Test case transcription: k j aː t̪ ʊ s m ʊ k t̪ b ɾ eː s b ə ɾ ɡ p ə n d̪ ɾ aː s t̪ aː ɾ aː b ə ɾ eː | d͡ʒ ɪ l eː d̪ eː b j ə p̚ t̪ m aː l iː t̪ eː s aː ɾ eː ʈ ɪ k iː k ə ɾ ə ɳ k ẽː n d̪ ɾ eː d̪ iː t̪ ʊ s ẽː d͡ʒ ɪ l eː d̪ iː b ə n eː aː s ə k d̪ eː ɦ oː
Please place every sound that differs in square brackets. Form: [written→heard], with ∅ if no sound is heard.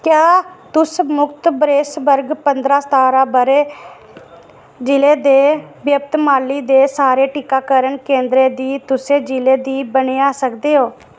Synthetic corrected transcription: k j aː t̪ ʊ s m ʊ k t̪ b ɾ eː s b ə ɾ ɡ p ə n d̪ ɾ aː s t̪ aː ɾ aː b ə ɾ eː | d͡ʒ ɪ l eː d̪ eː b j ə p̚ t̪ m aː l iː [t̪→d̪] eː s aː ɾ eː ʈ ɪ k [iː→aː] k ə ɾ ə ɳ k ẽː n d̪ ɾ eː d̪ iː t̪ ʊ s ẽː d͡ʒ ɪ l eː d̪ iː b ə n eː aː s ə k d̪ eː ɦ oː